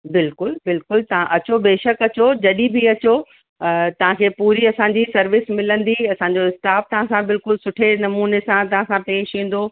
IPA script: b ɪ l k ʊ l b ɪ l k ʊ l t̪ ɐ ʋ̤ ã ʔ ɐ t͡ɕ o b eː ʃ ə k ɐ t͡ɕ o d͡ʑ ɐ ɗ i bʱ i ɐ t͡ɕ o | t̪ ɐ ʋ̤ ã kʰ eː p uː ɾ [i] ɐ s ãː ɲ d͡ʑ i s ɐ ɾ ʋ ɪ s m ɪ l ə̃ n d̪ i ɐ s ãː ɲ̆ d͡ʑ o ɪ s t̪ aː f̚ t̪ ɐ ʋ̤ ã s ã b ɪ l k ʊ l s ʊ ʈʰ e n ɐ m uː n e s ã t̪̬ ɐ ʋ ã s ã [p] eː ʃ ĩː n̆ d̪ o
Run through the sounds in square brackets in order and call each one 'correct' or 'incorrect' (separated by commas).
correct, correct